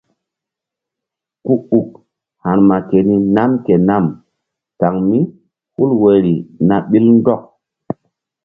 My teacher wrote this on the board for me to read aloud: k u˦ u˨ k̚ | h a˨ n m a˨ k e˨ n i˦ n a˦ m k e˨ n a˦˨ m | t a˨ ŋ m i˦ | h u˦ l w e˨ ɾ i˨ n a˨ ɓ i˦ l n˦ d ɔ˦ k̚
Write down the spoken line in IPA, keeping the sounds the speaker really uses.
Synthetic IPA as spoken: k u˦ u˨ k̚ | h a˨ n m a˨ k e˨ n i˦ n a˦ m k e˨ n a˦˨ m | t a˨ ŋ m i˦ | h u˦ l w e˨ ɾ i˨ n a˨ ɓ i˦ l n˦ d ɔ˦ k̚